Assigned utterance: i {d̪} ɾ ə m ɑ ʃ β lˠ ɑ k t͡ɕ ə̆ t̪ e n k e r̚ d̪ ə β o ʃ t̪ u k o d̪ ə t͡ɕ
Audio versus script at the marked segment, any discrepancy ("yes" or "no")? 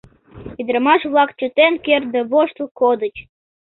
no